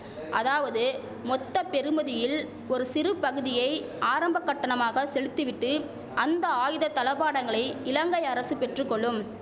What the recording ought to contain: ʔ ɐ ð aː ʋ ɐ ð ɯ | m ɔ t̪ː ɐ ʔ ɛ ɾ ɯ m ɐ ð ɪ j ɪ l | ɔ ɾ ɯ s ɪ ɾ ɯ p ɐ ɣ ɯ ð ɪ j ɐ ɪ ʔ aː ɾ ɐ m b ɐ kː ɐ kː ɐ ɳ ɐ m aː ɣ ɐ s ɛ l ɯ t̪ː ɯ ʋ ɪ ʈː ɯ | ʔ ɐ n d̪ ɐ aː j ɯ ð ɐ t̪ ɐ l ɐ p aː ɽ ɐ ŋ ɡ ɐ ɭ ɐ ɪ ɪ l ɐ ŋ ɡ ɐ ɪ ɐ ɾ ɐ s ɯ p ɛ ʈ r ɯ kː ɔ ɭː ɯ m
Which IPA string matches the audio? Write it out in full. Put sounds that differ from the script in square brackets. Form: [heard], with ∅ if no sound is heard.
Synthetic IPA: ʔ ɐ ð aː ʋ ɐ ð ɯ | m ɔ t̪ː ɐ [p] ɛ ɾ ɯ m ɐ ð ɪ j ɪ l | ɔ ɾ ɯ s ɪ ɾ ɯ p ɐ ɣ ɯ ð ɪ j ɐ ɪ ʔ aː ɾ ɐ m b ɐ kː ɐ [ʈː] ɐ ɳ ɐ m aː ɣ ɐ s ɛ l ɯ t̪ː ɯ ʋ ɪ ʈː ɯ | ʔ ɐ n d̪ ɐ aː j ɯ ð ɐ t̪ ɐ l ɐ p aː ɽ ɐ ŋ ɡ ɐ ɭ ɐ ɪ ɪ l ɐ ŋ ɡ ɐ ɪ ɐ ɾ ɐ s ɯ p ɛ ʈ r ɯ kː ɔ ɭː ɯ m